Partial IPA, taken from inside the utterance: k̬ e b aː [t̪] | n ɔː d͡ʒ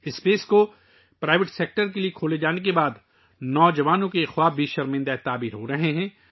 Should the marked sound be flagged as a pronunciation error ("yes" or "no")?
yes